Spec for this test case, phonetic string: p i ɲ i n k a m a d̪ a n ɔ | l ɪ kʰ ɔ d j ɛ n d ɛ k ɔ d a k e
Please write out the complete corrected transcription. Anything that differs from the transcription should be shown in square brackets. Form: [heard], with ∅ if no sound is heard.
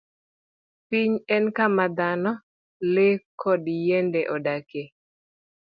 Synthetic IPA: p i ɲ [ɛ] n k a m a d̪ a n ɔ | l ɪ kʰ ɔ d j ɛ n d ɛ [ʔ] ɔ d a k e